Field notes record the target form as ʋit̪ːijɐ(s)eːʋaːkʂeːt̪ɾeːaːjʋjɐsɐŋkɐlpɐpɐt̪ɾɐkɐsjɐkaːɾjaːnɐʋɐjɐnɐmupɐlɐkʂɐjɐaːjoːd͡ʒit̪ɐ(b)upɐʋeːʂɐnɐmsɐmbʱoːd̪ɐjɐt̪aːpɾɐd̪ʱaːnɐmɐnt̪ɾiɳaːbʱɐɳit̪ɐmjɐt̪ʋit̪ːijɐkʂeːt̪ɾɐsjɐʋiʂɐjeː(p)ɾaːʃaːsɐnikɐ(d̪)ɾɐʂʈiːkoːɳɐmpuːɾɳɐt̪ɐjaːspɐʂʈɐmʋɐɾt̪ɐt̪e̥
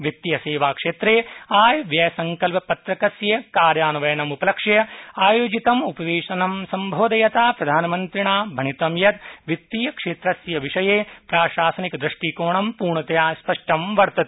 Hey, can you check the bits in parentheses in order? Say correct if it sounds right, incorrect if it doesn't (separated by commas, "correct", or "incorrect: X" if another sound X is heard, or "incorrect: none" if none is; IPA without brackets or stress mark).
correct, incorrect: m, correct, correct